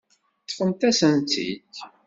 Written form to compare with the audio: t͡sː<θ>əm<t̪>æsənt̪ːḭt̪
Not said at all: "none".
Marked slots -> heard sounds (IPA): f, t̪

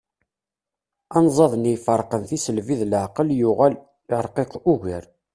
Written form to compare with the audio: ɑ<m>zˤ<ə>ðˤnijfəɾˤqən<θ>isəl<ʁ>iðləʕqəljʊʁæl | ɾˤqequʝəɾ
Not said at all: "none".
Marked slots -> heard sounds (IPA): n, ɑ, θ, v

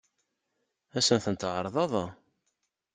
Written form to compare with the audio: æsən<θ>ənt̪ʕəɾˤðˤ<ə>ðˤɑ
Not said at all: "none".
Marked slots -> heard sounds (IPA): θ, ɑ

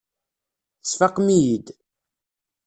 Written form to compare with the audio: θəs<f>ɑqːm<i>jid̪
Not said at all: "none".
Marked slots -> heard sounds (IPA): f, i

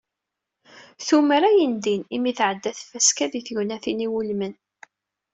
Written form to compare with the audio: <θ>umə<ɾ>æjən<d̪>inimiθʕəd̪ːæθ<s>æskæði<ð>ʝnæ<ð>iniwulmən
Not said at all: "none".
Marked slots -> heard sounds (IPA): θ, ɾ, d̪, f, θ, θ

